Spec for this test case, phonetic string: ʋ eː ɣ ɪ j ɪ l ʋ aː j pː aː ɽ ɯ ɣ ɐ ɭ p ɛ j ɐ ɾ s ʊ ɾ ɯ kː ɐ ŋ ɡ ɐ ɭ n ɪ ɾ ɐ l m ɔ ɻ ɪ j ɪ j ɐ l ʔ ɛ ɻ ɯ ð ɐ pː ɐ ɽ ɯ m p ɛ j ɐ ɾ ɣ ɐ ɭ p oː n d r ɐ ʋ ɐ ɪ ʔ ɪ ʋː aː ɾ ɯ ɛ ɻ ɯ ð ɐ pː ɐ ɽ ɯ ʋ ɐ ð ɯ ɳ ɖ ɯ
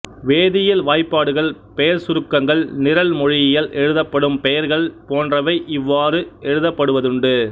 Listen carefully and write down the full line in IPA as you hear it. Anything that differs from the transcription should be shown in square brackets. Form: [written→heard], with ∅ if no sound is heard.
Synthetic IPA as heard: ʋ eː [ɣ→ð] ɪ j ɪ l ʋ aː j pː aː ɽ ɯ ɣ ɐ ɭ p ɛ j ɐ ɾ s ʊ ɾ ɯ kː ɐ ŋ ɡ ɐ ɭ n ɪ ɾ ɐ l m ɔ ɻ ɪ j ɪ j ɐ l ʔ ɛ ɻ ɯ ð ɐ pː ɐ ɽ ɯ m p ɛ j ɐ ɾ ɣ ɐ ɭ p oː n d r ɐ ʋ ɐ ɪ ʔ ɪ ʋː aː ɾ ɯ ɛ ɻ ɯ ð ɐ pː ɐ ɽ ɯ ʋ ɐ ð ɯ ɳ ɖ ɯ

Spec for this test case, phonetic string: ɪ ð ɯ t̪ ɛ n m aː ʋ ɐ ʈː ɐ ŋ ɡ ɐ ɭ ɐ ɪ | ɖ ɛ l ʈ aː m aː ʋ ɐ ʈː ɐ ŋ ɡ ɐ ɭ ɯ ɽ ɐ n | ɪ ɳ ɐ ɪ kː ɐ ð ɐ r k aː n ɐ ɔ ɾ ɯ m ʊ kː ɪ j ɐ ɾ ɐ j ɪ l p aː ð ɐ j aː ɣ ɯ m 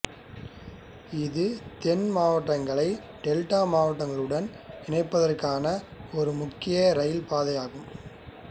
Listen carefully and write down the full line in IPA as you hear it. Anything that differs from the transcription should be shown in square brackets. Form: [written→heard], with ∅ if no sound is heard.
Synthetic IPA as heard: ɪ ð ɯ t̪ ɛ n m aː ʋ ɐ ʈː ɐ ŋ ɡ ɐ ɭ ɐ ɪ | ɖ ɛ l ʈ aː m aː ʋ ɐ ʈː ɐ ŋ ɡ ɐ ɭ ɯ ɽ ɐ n | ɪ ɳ ɐ ɪ [kː→pː] ɐ ð ɐ r k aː n ɐ ɔ ɾ ɯ m ʊ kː ɪ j ɐ ɾ ɐ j ɪ l p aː ð ɐ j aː ɣ ɯ m

